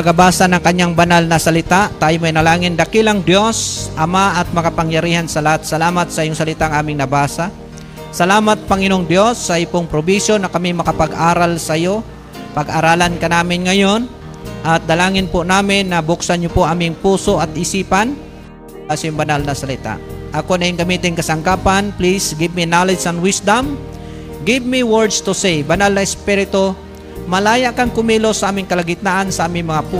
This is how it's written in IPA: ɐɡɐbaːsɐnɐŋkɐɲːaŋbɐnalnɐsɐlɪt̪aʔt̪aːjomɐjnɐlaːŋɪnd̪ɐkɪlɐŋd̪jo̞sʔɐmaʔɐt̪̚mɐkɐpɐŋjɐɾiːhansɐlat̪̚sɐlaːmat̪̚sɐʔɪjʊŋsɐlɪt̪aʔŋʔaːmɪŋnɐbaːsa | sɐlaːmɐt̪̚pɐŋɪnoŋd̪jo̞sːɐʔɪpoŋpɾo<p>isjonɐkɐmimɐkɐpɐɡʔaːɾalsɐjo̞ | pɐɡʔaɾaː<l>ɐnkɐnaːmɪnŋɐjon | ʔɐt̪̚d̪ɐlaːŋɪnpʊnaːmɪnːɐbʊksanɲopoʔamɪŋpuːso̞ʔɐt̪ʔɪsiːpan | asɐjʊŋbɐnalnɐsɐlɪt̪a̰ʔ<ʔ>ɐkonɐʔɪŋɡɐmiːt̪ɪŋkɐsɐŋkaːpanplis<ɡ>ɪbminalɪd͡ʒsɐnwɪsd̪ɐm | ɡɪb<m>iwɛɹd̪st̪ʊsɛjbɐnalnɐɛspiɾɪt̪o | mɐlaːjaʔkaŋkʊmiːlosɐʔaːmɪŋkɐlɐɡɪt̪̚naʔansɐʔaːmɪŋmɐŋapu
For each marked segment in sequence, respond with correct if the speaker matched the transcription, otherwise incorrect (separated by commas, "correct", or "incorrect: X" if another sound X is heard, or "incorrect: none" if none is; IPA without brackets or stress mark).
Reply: incorrect: b, correct, correct, correct, correct